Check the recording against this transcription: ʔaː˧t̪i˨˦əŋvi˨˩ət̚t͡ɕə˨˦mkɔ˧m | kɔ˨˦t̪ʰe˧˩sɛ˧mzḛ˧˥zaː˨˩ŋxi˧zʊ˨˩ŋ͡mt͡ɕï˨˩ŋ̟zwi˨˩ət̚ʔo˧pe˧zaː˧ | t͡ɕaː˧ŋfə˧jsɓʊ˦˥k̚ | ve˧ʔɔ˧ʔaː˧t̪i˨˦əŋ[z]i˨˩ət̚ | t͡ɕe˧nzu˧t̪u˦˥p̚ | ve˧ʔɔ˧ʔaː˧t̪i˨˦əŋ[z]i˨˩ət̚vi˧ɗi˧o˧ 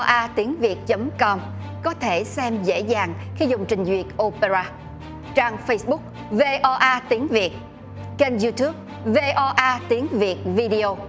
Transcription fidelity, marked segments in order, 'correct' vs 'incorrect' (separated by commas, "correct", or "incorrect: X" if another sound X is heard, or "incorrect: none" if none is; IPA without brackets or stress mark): incorrect: v, incorrect: v